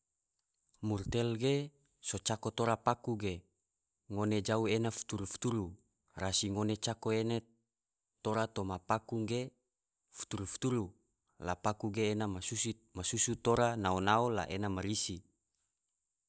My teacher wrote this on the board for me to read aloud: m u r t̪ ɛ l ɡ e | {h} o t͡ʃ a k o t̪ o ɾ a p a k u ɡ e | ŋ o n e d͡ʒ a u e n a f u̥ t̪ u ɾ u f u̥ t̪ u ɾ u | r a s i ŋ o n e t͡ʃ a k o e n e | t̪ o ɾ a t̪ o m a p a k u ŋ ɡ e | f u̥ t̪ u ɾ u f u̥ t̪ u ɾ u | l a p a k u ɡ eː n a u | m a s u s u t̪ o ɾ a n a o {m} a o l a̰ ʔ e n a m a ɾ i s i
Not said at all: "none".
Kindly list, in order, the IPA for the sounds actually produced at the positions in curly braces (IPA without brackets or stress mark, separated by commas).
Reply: s, n